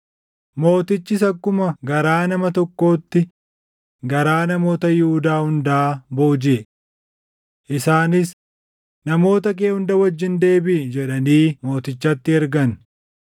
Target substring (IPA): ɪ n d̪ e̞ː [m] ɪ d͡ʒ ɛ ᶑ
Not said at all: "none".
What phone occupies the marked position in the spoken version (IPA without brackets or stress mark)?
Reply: b